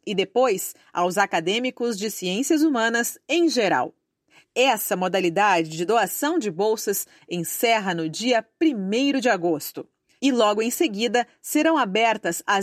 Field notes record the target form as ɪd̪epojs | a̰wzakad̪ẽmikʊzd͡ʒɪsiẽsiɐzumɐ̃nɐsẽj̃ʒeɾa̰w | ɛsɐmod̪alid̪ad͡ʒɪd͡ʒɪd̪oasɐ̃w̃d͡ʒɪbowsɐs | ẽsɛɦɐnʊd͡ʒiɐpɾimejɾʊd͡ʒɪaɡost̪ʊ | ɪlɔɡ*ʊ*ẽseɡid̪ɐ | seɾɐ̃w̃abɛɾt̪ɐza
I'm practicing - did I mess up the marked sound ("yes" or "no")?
no